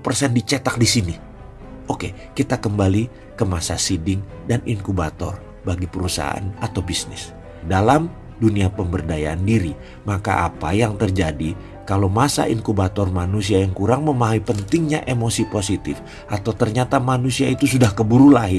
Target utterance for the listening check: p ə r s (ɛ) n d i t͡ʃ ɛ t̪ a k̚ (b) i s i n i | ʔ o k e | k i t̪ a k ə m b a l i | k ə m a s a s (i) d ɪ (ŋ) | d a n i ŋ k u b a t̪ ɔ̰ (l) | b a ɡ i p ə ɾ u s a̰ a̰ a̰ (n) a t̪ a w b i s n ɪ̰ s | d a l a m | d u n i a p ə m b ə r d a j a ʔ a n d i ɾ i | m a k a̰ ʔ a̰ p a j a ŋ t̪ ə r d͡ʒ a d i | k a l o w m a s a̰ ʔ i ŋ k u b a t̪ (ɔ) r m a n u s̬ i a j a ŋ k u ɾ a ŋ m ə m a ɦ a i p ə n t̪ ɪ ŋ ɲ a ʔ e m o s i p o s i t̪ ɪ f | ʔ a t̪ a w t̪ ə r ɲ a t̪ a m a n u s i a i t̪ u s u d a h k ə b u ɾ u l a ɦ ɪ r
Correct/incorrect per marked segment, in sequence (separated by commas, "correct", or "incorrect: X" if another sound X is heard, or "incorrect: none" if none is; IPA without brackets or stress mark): correct, incorrect: d, correct, correct, incorrect: r, correct, correct